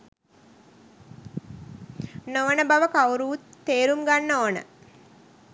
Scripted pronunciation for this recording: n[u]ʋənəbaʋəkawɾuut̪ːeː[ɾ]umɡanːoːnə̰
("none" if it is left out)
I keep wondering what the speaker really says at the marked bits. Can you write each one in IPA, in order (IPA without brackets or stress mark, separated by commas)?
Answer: o, ɾ